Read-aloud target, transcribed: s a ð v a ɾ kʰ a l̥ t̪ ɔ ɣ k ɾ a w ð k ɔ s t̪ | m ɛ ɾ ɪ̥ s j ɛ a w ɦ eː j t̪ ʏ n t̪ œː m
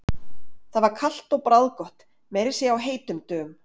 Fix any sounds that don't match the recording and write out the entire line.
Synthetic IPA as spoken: θ a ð v a ɾ kʰ a l̥ t̪ ɔ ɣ p ɾ a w ð k ɔ h t̪ | m ɛ ɾ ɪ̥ s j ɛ a w ɦ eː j t̪ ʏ m t̪ œː m

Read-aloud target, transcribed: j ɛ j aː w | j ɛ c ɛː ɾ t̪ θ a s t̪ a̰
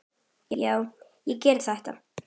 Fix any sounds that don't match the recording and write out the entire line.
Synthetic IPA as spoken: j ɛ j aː w | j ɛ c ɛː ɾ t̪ θ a h t̪ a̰

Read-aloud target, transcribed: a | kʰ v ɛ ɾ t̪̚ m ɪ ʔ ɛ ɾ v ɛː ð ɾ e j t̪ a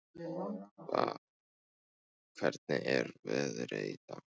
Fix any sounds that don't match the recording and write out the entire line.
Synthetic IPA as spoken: a | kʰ v ɛ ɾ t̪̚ n ɪ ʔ ɛ ɾ v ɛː ð ɾ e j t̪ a

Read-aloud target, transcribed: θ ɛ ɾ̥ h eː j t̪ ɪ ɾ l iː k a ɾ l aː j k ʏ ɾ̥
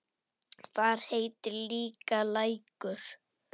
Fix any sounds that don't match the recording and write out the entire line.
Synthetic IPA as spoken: θ a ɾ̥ h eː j t̪ ɪ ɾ l iː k a l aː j k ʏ ɾ̥

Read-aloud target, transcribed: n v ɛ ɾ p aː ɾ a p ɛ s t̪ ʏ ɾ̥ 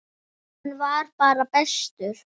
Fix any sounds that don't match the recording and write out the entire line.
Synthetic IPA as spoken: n v a ɾ p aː ɾ a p ɛ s t̪ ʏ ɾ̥

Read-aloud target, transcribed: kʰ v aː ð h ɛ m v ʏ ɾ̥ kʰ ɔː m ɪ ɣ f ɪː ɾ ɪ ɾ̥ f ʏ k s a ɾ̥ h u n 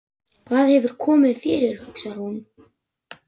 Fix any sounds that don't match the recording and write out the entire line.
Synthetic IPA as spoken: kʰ v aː ð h ɛ v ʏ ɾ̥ kʰ ɔː m ɪ ð f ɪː ɾ ɪ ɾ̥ h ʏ k s a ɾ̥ h u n

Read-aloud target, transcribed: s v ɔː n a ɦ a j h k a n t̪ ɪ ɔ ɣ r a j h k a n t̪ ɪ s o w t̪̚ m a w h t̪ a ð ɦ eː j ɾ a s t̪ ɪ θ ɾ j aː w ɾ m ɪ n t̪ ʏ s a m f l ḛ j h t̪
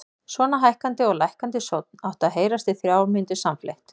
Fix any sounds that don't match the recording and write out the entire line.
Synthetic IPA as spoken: s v ɔː n a ɦ a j h k a n t̪ ɪ ɔ ɣ l a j h k a n t̪ ɪ s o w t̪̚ n a w h t̪ a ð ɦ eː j ɾ a s t̪ ɪ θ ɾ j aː w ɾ m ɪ n t̪ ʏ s a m f l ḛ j h t̪

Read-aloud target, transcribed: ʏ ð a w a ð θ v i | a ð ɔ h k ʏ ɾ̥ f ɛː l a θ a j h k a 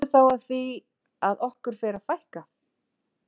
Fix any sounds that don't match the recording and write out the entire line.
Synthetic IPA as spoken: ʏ θ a w a ð θ v i | a ð ɔ h k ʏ ɾ̥ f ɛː ɾ a f a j h k a

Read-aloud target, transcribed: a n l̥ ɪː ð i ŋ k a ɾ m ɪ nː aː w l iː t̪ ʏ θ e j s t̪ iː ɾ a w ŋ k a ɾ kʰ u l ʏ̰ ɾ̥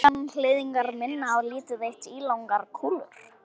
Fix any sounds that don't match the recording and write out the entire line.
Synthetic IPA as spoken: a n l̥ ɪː ð i ŋ k a ɾ m ɪ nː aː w l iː t̪ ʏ ð e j h t̪ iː l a w ŋ k a ɾ kʰ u l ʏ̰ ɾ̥

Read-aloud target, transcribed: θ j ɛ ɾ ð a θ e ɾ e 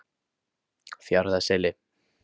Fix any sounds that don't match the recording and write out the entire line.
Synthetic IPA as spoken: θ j a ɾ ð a s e l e

